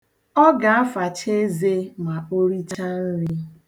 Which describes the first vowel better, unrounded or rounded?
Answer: rounded